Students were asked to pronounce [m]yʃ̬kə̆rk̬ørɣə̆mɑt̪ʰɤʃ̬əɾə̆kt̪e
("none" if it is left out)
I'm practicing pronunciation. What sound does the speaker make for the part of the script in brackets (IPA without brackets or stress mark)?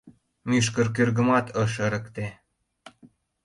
m